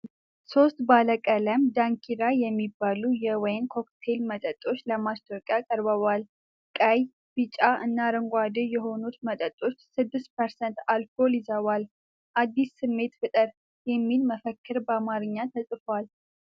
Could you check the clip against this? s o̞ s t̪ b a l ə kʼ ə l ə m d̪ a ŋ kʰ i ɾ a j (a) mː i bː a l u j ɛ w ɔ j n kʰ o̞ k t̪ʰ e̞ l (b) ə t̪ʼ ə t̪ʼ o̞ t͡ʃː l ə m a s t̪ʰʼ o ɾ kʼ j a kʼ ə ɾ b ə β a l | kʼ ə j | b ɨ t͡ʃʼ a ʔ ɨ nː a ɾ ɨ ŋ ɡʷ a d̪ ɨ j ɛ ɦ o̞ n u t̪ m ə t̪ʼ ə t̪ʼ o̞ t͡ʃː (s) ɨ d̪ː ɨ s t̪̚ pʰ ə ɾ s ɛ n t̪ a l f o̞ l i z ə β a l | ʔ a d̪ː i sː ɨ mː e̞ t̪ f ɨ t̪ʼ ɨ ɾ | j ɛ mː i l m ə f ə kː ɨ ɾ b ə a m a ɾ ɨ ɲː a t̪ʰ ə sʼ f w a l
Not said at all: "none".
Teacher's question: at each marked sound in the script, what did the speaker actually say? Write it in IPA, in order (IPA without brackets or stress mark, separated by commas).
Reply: ɛ, m, s